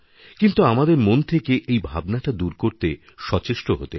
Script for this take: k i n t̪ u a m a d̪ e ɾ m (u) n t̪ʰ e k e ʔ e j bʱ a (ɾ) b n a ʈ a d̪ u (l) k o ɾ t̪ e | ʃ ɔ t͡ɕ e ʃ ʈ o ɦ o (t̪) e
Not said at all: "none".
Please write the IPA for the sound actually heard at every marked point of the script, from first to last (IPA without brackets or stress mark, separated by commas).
o, none, ɾ, t̪